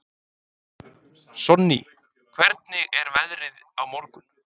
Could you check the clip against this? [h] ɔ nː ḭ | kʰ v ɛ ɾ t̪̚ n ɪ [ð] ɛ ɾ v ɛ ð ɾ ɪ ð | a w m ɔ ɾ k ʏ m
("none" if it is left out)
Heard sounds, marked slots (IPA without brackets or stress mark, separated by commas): s, ɣ